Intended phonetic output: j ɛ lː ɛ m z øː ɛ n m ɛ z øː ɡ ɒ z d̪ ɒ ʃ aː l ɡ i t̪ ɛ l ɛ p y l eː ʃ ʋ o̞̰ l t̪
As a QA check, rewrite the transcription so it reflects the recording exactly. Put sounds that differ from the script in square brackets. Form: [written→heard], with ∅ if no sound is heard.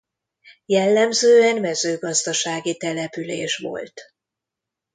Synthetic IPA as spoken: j ɛ lː ɛ m z øː ɛ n m ɛ z øː ɡ ɒ z d̪ ɒ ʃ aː [l→∅] ɡ i t̪ ɛ l ɛ p y l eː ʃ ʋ o̞̰ l t̪